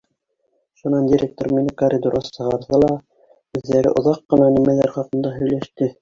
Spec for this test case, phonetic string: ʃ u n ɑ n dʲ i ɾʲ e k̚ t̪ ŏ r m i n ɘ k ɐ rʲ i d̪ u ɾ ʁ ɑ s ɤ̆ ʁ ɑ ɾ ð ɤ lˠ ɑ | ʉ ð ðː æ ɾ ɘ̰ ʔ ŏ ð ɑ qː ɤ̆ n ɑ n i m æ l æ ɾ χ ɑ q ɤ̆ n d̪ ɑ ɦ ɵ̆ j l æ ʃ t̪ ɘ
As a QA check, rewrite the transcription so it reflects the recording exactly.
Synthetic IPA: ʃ u n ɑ n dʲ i ɾʲ e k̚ t̪ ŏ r m i n ɘ k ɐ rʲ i d̪ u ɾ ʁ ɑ s ɤ̆ ʁ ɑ ɾ ð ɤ lˠ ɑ | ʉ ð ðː æ ɾ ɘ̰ ʔ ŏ ð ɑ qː ɤ̆ n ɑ n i m æ l æ ɾ χ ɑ q ɤ̆ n d̪ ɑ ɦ ɵ̆ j l æ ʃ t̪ ɘ